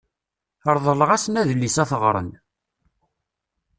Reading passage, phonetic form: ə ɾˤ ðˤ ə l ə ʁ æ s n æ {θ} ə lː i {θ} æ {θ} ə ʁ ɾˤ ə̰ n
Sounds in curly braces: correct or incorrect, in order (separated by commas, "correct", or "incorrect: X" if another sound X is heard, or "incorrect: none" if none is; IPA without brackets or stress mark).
incorrect: ð, incorrect: s, correct